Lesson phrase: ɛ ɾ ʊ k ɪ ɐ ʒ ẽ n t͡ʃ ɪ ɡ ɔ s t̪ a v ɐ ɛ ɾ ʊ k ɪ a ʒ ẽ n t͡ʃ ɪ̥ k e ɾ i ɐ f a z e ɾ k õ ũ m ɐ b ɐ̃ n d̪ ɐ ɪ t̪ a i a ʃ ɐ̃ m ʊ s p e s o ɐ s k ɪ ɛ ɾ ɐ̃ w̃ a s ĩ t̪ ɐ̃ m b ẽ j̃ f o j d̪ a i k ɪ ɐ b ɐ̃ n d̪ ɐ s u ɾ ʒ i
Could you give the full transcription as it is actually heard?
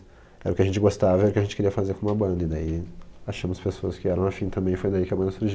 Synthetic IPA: ɛ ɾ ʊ k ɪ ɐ ʒ ẽ n t͡ʃ ɪ ɡ o s t̪ a v ɐ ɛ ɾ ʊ k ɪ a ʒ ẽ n t͡ʃ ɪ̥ k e ɾ i ɐ f a z e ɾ k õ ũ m ɐ b ɐ̃ n d̪ ɐ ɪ d̪ a i a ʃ ɐ̃ m ʊ s p e s o ɐ s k ɪ ɛ ɾ ɐ̃ w̃ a f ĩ t̪ ɐ̃ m b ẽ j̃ f o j d̪ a i k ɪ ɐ b ɐ̃ n d̪ ɐ s u ɾ ʒ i